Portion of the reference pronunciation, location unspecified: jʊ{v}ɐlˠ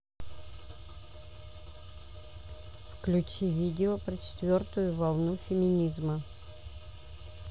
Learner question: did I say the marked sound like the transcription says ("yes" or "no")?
yes